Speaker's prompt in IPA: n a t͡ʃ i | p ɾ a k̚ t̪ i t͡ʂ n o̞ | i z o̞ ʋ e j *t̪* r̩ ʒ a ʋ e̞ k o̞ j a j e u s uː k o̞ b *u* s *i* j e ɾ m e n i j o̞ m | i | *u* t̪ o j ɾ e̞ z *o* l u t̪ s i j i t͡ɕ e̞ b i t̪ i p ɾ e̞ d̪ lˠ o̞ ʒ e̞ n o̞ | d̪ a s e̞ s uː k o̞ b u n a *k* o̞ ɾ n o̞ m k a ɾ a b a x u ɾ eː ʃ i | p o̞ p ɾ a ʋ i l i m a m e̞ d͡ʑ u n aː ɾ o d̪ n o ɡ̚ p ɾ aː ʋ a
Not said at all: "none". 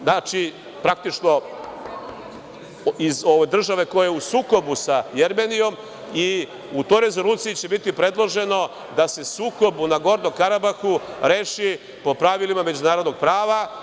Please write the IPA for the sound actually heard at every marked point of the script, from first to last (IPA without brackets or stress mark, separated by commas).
d̪, u, a, u, o, ɡ